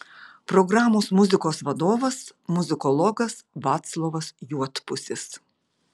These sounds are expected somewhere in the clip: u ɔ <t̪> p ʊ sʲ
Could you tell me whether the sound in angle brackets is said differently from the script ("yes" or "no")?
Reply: no